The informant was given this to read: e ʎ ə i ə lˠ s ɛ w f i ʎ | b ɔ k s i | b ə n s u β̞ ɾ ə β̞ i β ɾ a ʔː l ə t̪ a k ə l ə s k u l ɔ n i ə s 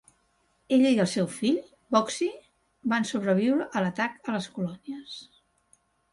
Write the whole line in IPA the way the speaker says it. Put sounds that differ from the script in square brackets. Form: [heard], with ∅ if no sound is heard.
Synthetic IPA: e ʎ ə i ə lˠ s ɛ w f i ʎ | b ɔ k s i | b [a] n s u β̞ ɾ ə β̞ i [w] ɾ [ə] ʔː l ə t̪ a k ə l ə s k u l ɔ n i ə s